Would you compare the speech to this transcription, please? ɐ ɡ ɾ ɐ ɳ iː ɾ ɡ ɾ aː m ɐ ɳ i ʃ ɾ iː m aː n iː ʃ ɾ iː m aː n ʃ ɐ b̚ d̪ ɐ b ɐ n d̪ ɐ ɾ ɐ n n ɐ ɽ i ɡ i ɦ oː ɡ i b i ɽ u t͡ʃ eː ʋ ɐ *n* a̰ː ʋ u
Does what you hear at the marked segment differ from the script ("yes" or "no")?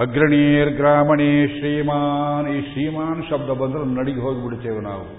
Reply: no